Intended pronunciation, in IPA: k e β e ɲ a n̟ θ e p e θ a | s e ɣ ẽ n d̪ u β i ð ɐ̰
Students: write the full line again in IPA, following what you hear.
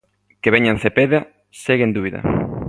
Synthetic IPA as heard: k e β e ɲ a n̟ θ e p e ð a | s e ɣ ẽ n d̪ u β i ð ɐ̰

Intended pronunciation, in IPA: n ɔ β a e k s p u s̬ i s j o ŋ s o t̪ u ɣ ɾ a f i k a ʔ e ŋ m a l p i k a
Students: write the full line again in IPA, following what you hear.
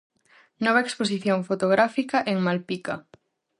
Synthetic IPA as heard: n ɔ β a e k s p o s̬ i θ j o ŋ f o t̪ o ɣ ɾ a f i k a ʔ e ŋ m a l p i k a

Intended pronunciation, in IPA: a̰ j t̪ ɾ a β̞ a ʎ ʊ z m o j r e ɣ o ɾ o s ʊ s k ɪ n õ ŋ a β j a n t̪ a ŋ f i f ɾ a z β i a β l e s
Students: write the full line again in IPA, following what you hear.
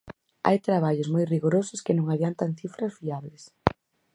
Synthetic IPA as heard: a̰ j t̪ ɾ a β̞ a ʎ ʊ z m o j r i ɣ o ɾ o s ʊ s k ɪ n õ ŋ a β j a n t̪ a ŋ θ i f ɾ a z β i a β l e s

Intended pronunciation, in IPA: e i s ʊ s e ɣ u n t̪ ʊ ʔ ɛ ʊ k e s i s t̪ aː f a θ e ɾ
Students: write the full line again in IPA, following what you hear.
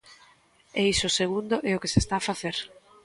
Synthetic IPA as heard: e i s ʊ s e ɣ u n d̪ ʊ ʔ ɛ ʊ k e s e s t̪ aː f a θ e ɾ

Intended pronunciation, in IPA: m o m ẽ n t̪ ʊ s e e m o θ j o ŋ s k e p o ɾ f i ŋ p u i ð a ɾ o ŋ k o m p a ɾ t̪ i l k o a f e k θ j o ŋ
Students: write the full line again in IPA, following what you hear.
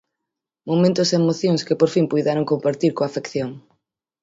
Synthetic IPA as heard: m o m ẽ n t̪ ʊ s e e m o θ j o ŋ s k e p o ɾ f i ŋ p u j ð a ɾ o ŋ k o m p a ɾ t̪ i ɾ k o a f e k θ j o ŋ

